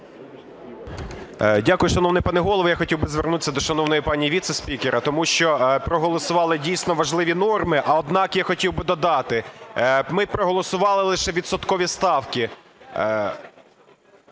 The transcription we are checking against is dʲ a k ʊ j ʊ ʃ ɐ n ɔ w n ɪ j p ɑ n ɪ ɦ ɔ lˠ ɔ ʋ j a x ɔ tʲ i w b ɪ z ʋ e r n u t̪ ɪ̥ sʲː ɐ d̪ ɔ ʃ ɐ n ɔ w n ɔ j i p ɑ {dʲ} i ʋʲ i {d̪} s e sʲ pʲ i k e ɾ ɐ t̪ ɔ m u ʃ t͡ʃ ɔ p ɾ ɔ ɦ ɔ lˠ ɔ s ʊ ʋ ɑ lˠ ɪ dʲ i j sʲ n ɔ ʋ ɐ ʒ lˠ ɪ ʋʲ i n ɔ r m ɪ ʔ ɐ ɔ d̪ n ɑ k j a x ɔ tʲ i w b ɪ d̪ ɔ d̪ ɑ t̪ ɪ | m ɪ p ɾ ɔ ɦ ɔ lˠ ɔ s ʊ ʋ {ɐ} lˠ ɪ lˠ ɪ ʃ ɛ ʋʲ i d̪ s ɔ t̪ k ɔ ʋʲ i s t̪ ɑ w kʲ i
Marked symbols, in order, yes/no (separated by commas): no, no, no